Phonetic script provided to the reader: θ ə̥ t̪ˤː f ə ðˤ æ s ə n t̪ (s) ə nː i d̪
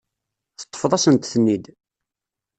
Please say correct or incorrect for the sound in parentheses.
incorrect